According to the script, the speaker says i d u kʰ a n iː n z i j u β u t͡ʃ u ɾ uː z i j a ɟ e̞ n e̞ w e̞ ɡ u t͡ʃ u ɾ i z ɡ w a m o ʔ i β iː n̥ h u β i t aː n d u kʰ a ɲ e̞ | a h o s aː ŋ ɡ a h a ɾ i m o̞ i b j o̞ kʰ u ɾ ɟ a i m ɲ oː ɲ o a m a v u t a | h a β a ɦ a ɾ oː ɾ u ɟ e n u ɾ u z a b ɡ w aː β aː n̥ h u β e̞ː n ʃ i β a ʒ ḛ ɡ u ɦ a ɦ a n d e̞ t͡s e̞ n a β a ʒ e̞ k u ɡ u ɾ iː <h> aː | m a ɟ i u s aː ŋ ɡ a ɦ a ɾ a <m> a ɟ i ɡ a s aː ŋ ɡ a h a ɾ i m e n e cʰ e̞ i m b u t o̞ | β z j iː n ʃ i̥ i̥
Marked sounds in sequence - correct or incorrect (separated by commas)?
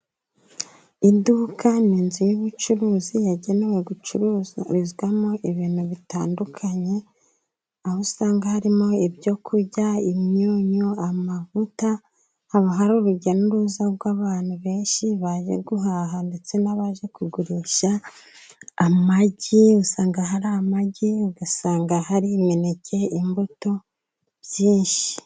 incorrect, correct